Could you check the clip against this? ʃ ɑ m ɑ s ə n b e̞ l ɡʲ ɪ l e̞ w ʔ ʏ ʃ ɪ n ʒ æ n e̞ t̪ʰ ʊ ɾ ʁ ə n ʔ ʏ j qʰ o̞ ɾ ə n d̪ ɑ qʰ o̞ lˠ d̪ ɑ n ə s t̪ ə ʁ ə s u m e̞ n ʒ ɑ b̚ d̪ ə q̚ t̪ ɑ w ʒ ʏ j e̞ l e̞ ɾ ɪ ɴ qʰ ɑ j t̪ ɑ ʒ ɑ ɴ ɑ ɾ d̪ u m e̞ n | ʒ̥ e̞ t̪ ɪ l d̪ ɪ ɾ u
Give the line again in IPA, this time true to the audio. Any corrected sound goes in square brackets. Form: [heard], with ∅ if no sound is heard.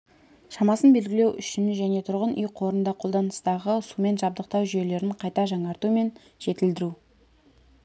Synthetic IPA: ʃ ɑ m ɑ s ə n b e̞ l ɡʲ ɪ l e̞ w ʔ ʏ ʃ ɪ n ʒ æ n e̞ t̪ʰ ʊ ɾ ʁ ə n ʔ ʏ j qʰ o̞ ɾ ə n d̪ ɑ qʰ o̞ lˠ d̪ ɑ n ə s t̪ [ɑ] ʁ ə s u m e̞ n ʒ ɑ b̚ d̪ ə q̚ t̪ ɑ w ʒ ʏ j e̞ l e̞ ɾ ɪ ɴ qʰ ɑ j t̪ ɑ ʒ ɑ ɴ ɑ ɾ [t̪] u m e̞ n | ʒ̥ e̞ t̪ ɪ l d̪ ɪ ɾ u